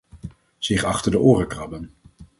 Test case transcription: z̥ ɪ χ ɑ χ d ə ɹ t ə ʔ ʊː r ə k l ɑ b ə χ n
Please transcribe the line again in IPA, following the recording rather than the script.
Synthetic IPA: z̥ ɪ χ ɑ χ t ə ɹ d ə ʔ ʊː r ə k r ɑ b ə n